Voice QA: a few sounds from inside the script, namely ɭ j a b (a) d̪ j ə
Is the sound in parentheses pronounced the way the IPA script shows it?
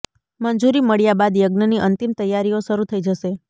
yes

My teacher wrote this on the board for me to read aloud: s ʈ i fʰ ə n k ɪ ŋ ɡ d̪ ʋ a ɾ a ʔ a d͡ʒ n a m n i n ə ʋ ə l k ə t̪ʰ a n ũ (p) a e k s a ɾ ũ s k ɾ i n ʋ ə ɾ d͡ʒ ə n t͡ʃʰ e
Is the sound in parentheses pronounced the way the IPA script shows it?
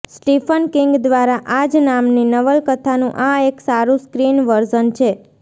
no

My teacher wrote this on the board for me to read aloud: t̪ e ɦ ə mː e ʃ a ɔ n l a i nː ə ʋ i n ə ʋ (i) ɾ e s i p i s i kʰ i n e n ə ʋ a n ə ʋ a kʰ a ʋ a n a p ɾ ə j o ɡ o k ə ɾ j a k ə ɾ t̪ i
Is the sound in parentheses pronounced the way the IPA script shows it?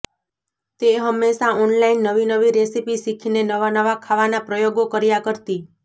yes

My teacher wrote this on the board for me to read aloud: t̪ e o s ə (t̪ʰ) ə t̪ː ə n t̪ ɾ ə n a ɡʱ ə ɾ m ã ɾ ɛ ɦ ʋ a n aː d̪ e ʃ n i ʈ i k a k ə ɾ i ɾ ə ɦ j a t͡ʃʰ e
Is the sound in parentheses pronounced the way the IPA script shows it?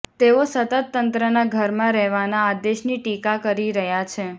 no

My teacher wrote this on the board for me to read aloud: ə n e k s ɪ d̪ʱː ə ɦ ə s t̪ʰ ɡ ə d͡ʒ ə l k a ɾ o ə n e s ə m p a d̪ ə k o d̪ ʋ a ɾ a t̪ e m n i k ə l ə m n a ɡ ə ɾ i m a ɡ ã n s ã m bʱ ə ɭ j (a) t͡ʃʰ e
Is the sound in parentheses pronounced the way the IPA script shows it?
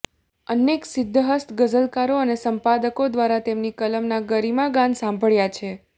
yes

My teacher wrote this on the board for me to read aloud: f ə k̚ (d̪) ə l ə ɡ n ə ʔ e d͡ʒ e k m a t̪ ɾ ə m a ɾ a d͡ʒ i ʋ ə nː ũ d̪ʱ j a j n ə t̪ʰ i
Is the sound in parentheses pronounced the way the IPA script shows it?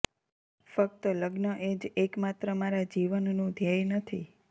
no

